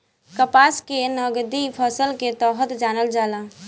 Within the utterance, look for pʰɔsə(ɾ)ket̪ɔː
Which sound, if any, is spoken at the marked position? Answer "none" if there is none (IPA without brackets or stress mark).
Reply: l